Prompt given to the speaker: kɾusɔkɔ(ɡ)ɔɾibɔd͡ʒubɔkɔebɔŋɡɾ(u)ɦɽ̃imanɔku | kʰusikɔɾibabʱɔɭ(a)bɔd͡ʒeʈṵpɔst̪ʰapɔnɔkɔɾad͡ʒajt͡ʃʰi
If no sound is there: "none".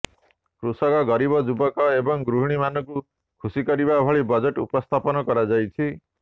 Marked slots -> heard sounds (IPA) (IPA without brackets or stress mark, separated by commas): ɡ, u, i